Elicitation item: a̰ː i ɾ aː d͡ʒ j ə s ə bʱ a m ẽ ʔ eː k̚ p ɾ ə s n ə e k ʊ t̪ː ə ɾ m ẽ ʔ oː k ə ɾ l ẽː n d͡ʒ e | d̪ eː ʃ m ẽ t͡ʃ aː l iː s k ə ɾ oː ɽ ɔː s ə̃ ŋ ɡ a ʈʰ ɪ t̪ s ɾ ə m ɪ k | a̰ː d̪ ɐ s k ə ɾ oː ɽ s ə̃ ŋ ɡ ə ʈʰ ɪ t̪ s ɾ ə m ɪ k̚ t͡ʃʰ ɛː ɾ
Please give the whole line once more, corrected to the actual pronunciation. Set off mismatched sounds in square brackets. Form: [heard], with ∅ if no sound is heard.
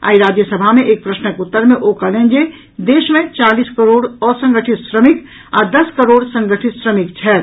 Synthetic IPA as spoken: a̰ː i ɾ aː d͡ʒ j ə s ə bʱ a m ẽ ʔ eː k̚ p ɾ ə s n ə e k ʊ t̪ː ə ɾ m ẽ ʔ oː k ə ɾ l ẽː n d͡ʒ e | d̪ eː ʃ m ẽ t͡ʃ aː l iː s k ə ɾ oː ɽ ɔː s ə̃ ŋ ɡ [ə] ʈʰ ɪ t̪ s ɾ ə m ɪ k | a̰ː d̪ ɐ s k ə ɾ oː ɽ s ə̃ ŋ ɡ ə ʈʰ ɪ t̪ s ɾ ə m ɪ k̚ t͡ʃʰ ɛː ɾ

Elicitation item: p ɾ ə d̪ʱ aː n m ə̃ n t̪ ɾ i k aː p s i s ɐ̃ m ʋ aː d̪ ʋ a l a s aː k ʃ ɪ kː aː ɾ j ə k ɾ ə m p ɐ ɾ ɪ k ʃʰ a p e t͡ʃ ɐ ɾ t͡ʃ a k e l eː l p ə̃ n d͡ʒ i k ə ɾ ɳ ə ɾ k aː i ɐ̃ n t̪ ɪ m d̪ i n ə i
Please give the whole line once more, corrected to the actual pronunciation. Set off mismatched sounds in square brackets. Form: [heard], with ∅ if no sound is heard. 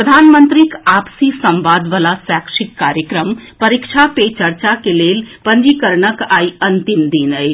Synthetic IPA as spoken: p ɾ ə d̪ʱ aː n m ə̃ n t̪ ɾ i k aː p s i s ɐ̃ m ʋ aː d̪ ʋ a l a s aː k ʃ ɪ kː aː ɾ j ə k ɾ ə m p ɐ ɾ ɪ k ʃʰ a p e t͡ʃ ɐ ɾ t͡ʃ a k e l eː l p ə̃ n d͡ʒ i k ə ɾ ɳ ə [∅] k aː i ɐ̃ n t̪ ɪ m d̪ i n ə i

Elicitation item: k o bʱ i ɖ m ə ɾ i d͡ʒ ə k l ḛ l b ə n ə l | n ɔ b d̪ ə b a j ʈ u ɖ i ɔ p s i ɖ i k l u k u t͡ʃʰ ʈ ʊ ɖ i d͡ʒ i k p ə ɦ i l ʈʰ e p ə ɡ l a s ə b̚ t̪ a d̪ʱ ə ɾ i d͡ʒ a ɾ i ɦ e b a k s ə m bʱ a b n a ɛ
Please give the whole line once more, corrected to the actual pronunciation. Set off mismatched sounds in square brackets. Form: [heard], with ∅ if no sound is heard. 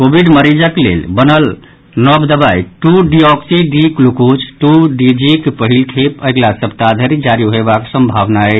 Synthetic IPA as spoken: k o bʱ i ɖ m ə ɾ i d͡ʒ ə k l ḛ l b ə n ə l | n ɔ b d̪ ə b a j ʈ u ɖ i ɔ [k] s i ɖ i k l u k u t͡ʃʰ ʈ [u] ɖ i d͡ʒ i k p ə ɦ i l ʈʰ e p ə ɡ l a s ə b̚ t̪ a d̪ʱ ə ɾ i d͡ʒ a ɾ i ɦ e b a k s ə m bʱ a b n a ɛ

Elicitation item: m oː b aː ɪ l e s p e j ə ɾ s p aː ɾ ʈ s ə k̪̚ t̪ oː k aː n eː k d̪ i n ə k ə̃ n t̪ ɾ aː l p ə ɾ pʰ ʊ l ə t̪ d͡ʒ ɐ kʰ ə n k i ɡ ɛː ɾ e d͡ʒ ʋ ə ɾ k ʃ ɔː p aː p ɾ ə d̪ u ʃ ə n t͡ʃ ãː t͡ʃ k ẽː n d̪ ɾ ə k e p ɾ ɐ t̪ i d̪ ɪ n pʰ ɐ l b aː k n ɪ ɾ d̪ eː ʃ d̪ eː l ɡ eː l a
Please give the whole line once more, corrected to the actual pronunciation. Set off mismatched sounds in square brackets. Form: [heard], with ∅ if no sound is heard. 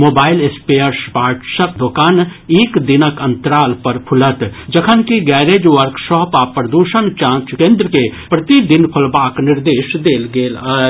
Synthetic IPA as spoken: m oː b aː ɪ l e s p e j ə ɾ s p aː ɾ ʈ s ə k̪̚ [d̪] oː k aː n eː k d̪ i n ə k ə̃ n t̪ ɾ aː l p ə ɾ pʰ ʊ l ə t̪ d͡ʒ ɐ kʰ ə n k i ɡ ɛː ɾ e d͡ʒ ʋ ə ɾ k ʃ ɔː p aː p ɾ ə d̪ u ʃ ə n t͡ʃ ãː t͡ʃ k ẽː n d̪ ɾ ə k e p ɾ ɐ t̪ i d̪ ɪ n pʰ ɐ l b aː k n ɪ ɾ d̪ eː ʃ d̪ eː l ɡ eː l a

